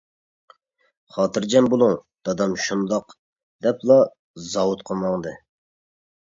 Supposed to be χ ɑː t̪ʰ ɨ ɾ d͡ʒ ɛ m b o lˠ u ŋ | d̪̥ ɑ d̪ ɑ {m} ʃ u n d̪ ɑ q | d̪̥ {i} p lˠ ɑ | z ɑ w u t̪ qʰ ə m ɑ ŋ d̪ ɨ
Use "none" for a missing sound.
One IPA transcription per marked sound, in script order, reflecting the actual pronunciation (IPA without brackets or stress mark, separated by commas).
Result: m, ɛ